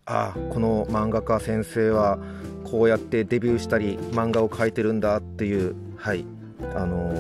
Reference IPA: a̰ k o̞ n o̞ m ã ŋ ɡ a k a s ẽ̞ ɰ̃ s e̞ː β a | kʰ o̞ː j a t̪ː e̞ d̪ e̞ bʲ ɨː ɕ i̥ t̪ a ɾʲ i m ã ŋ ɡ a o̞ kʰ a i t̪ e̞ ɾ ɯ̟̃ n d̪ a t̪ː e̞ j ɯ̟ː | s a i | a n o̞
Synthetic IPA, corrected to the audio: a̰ k o̞ n o̞ m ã ŋ ɡ a k a s ẽ̞ ɰ̃ s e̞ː β a | kʰ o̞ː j a t̪ː e̞ d̪ e̞ bʲ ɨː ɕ i̥ t̪ a ɾʲ i m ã ŋ ɡ a o̞ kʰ a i t̪ e̞ ɾ ɯ̟̃ n d̪ a t̪ː e̞ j ɯ̟ː | h a i | a n o̞